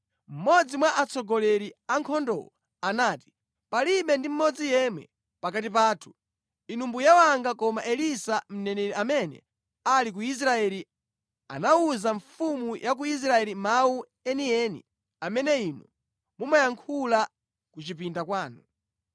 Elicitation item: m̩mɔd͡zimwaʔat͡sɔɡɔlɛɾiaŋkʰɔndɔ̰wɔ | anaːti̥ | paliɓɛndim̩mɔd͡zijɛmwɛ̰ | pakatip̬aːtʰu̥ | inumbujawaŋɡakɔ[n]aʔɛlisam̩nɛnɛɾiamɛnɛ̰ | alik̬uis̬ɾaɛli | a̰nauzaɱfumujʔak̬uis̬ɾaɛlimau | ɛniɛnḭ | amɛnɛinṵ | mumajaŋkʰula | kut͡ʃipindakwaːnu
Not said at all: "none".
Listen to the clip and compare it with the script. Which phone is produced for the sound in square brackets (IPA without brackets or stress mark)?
m